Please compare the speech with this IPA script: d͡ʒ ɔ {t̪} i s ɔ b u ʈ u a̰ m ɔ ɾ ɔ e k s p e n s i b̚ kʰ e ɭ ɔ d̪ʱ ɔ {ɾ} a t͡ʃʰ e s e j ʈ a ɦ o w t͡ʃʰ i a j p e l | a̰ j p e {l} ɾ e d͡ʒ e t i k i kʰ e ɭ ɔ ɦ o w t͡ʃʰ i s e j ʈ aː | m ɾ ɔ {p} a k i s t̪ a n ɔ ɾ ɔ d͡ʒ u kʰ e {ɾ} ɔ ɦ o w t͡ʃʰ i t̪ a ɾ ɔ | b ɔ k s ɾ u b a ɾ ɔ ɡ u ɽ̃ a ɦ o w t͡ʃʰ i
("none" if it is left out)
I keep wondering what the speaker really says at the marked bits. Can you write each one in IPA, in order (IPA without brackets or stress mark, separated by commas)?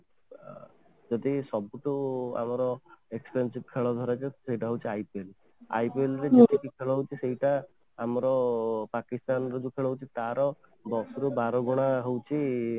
d̪, ɾ, l, p, ɭ